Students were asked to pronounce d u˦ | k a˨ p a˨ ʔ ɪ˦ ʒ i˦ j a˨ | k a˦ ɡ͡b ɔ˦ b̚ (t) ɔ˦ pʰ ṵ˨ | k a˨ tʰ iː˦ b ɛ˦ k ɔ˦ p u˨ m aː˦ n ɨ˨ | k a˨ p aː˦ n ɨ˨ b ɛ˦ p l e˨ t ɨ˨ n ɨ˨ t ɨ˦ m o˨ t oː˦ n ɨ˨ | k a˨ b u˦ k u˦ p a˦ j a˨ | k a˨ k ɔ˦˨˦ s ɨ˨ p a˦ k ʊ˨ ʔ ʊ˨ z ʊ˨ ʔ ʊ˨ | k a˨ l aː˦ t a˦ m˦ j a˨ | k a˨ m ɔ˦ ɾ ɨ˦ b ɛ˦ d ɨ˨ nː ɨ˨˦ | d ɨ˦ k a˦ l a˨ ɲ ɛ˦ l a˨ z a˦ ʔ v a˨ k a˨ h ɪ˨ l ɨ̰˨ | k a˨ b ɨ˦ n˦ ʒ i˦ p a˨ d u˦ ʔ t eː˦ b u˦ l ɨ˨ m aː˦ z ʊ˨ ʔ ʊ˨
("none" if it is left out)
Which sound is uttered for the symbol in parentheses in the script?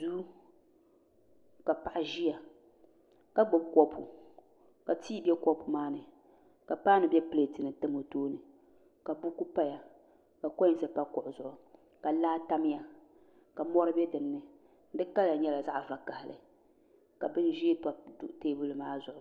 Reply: k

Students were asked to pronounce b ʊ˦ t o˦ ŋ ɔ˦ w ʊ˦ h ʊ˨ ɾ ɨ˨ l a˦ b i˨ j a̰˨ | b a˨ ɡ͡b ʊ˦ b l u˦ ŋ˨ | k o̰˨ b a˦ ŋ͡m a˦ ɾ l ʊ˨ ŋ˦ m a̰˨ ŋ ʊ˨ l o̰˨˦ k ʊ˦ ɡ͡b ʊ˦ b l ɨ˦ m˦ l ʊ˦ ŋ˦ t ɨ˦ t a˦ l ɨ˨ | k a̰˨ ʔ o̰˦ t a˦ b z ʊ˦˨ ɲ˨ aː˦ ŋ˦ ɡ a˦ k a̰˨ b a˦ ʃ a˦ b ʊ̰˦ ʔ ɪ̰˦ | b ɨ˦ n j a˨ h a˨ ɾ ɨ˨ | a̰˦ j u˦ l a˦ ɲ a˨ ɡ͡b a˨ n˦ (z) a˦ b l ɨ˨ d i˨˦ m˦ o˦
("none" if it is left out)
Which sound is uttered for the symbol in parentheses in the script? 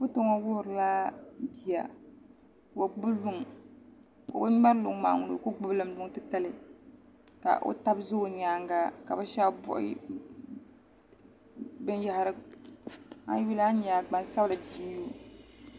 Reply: s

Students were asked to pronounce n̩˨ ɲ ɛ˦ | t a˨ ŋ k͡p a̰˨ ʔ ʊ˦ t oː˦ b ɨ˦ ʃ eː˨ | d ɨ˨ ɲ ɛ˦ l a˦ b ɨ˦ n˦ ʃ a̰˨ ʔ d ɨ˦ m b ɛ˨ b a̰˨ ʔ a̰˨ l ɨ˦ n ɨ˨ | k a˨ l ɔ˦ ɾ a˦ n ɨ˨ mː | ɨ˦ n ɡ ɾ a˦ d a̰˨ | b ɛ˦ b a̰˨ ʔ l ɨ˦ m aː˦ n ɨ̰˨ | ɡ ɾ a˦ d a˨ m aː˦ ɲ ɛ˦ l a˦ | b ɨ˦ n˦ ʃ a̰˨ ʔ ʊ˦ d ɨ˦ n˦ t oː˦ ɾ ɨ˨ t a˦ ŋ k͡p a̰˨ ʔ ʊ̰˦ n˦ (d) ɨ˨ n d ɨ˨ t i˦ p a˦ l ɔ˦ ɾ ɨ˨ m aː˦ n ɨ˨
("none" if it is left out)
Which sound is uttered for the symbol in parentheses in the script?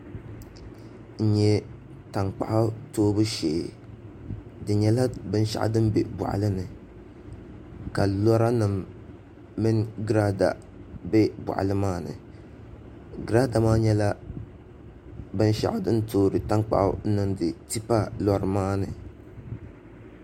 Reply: n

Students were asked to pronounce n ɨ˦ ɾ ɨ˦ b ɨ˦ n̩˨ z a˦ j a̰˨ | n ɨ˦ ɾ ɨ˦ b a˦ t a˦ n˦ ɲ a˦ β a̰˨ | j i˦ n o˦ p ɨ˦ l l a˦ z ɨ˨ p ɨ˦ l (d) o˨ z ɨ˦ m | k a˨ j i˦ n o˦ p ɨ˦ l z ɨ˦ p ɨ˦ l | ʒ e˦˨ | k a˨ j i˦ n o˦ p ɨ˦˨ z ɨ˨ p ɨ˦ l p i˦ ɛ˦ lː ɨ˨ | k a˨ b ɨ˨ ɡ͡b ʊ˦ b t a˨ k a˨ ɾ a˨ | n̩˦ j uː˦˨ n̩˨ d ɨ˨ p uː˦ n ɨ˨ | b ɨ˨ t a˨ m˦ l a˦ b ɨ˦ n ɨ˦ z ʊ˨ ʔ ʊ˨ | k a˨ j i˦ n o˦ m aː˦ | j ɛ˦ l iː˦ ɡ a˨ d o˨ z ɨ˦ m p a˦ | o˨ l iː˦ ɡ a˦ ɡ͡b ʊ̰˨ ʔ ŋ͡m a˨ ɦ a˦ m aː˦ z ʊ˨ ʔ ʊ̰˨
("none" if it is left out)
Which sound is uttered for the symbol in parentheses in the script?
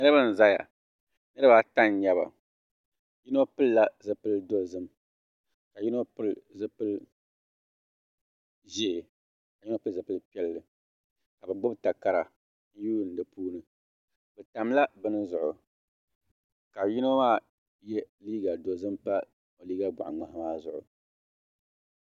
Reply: d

